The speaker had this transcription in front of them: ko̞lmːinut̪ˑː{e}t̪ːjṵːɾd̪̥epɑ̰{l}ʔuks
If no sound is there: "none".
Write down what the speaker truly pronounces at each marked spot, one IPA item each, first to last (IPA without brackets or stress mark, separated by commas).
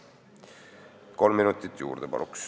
i, l